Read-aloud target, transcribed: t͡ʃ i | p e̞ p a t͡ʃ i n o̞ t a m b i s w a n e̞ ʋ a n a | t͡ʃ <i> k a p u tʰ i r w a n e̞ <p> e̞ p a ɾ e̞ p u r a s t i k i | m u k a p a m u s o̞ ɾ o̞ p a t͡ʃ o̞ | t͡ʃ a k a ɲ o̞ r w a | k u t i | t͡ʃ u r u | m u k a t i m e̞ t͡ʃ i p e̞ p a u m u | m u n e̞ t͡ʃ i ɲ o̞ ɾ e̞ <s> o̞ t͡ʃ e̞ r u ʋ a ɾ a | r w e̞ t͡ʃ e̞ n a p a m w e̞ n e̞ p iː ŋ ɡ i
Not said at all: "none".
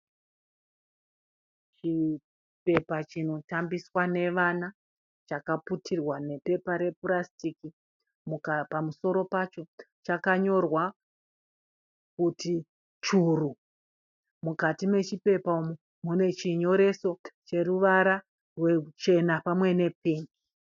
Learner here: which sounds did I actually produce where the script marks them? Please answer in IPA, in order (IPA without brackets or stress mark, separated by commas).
a, p, s